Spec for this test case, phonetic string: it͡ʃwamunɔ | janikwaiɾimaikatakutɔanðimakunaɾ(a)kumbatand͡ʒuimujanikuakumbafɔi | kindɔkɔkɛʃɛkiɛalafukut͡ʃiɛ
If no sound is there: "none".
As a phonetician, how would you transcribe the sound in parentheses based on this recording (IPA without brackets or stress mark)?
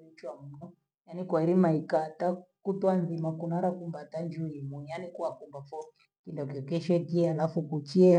a